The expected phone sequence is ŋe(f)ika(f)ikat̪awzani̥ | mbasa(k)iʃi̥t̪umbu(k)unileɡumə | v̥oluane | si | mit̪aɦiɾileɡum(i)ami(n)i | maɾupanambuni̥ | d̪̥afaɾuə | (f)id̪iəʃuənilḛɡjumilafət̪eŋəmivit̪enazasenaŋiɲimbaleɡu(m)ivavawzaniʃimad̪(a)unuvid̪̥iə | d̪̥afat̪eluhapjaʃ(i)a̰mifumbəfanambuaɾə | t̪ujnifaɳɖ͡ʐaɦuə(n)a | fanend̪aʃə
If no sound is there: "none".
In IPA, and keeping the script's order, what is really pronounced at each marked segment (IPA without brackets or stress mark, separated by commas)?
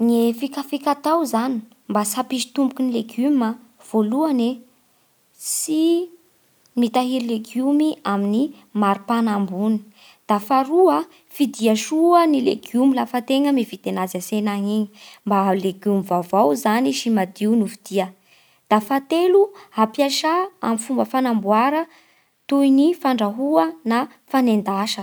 f, f, p, k, i, n, f, m, i, a, n